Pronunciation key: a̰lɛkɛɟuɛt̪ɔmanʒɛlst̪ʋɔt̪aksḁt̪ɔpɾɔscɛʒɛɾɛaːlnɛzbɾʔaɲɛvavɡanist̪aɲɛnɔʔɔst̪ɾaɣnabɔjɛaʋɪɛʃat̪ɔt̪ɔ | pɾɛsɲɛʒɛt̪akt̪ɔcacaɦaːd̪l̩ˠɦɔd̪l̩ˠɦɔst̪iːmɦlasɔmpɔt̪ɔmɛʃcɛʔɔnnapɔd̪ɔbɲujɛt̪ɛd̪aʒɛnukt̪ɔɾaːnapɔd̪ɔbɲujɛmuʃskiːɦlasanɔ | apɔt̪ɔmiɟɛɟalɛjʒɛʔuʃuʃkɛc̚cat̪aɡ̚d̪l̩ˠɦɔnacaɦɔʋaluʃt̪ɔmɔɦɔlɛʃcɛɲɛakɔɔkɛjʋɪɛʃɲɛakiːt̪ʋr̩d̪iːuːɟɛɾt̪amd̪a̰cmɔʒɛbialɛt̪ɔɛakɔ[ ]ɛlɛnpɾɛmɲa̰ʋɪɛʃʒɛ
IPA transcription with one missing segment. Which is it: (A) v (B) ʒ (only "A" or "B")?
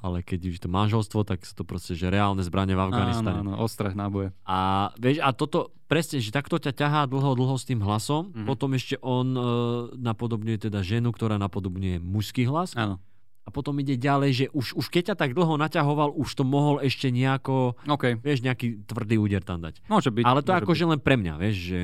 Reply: B